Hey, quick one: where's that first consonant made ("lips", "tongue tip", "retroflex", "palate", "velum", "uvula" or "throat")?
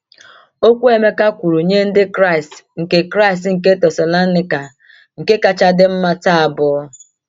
velum